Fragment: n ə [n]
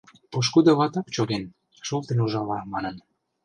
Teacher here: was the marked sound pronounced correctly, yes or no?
yes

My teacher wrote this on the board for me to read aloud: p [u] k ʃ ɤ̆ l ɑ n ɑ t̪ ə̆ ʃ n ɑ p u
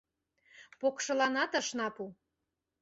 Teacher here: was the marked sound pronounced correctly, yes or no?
no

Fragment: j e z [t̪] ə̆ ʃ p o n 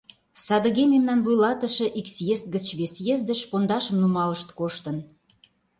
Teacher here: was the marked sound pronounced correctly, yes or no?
no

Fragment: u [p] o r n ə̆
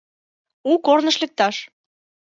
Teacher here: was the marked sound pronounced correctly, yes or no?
no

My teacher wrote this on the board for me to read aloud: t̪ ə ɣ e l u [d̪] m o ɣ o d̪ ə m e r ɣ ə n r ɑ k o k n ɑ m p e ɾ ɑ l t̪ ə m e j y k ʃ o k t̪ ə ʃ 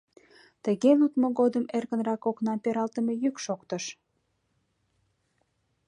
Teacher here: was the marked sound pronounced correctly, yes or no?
no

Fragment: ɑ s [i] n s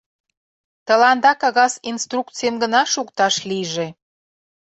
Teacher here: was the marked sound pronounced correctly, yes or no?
yes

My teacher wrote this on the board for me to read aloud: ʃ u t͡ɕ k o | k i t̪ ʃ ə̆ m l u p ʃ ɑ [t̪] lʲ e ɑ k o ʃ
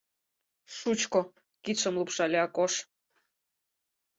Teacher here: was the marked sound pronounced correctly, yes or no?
no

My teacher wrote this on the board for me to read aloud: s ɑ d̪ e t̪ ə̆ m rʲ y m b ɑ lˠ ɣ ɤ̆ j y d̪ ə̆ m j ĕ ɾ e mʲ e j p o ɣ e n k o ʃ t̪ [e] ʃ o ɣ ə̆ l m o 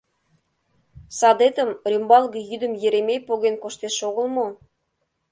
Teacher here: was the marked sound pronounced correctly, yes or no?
yes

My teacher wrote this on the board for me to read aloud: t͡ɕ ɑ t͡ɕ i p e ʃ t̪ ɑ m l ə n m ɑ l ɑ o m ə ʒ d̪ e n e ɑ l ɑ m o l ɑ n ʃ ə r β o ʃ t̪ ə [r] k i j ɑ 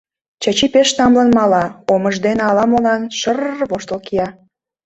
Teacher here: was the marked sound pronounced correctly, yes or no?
no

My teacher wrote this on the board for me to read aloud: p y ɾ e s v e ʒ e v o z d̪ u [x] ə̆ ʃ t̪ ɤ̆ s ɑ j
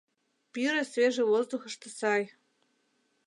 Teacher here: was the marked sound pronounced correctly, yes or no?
yes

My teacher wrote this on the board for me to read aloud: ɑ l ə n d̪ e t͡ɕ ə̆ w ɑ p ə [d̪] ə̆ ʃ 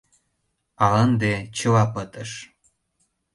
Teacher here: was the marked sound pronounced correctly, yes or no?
no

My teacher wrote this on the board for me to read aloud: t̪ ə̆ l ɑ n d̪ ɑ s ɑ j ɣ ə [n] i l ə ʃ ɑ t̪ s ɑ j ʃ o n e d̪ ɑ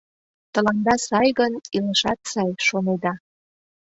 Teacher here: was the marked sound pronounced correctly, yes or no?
yes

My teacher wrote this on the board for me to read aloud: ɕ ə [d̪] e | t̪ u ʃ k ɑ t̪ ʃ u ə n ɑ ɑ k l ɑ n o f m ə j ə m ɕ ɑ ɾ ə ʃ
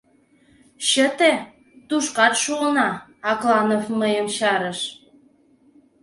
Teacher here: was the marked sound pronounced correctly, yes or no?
no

